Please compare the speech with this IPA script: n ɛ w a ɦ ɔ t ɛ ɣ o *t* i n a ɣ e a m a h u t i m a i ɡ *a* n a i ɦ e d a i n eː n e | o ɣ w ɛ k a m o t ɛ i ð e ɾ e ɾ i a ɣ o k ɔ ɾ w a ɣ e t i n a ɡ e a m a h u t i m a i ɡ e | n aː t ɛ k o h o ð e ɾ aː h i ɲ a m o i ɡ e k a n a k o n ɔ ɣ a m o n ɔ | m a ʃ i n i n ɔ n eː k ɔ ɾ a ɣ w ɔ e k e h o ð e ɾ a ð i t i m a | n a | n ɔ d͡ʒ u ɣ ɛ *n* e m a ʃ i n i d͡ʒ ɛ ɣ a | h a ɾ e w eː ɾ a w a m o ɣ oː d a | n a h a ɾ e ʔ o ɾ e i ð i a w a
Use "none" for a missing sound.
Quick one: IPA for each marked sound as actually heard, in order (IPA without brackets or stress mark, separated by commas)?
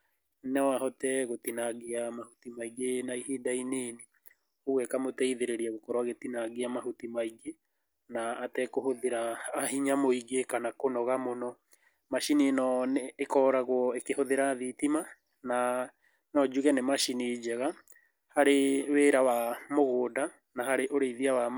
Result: t, e, n